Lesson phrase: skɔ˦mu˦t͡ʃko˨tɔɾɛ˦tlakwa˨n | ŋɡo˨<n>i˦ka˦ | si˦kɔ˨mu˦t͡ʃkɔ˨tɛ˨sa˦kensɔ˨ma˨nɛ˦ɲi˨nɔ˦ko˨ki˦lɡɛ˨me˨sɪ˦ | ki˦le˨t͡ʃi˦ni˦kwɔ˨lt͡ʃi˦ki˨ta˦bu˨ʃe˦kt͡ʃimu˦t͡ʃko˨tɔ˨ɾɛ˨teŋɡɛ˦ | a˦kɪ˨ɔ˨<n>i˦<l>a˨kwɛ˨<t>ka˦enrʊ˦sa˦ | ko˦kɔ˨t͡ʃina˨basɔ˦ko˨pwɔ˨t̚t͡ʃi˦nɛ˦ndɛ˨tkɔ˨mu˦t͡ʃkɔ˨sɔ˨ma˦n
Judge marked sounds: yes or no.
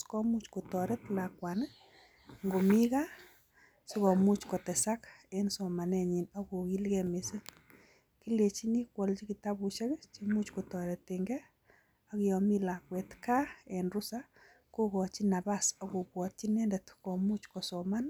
no, no, yes, yes

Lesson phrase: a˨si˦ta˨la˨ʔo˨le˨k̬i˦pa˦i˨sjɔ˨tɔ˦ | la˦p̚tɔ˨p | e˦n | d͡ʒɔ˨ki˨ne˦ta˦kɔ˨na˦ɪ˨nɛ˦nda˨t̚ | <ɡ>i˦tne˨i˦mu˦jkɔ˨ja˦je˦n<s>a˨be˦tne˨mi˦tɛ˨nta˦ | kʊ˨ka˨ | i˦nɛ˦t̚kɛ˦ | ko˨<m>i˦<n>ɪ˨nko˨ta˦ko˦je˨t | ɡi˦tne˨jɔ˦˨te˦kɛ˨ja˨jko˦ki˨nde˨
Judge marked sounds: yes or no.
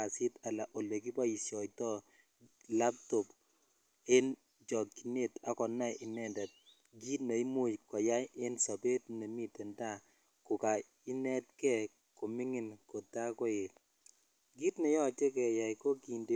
yes, yes, yes, no

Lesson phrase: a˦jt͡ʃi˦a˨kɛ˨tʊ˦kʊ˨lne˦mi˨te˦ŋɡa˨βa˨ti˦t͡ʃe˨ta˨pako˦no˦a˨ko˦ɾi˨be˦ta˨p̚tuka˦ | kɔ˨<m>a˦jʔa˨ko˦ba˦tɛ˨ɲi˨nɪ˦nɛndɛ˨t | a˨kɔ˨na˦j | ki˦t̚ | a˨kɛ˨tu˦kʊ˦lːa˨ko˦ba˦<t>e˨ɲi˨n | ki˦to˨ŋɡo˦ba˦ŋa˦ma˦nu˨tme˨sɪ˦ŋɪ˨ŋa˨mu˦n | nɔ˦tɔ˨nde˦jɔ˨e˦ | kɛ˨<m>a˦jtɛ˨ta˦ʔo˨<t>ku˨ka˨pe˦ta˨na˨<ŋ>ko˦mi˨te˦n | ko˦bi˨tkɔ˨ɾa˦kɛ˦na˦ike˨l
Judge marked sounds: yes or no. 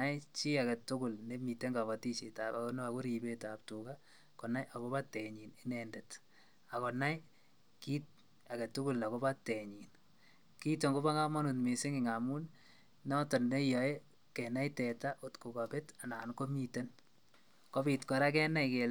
no, yes, no, yes, no

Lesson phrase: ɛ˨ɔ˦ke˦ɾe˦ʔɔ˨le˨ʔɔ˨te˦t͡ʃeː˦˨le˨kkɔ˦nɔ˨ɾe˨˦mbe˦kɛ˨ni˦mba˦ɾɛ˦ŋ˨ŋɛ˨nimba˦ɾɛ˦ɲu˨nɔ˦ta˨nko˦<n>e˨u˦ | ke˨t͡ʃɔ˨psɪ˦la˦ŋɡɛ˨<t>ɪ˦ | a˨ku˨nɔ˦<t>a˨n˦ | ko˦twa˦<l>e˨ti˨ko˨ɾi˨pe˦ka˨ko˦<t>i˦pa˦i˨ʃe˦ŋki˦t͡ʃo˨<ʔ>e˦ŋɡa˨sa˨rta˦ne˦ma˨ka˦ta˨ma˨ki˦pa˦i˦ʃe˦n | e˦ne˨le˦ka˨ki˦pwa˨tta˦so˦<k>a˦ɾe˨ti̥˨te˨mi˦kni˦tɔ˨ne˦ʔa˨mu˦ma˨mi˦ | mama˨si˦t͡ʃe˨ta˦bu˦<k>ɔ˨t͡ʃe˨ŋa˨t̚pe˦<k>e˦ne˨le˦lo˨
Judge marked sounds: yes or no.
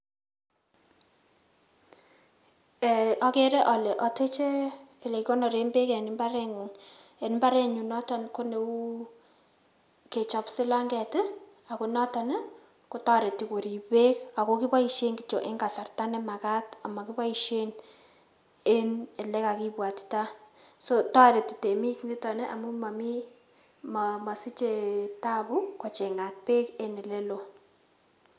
yes, yes, yes, no, no, yes, no, yes, yes

